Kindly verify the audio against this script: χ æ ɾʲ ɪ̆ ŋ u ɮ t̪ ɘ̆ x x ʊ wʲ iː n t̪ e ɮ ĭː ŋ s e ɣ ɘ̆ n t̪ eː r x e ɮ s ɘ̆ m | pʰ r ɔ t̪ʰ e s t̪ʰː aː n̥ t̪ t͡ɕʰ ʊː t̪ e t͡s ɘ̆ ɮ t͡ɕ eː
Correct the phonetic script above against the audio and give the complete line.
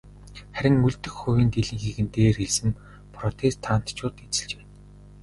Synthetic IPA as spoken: χ æ ɾʲ ɪ̆ ŋ u ɮ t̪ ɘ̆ x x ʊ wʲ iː n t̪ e ɮ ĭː ŋ x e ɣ ɘ̆ n t̪ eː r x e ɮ s ɘ̆ m | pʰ r ɔ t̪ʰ e s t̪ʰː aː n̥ t̪ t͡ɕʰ ʊː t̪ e t͡s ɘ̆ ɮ t͡ɕ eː